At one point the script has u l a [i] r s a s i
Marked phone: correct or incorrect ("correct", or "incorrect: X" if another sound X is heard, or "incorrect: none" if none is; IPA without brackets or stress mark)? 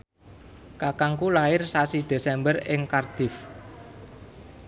incorrect: ɪ